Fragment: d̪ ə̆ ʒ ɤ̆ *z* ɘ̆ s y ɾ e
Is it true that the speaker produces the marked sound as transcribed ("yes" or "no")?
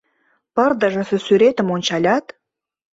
no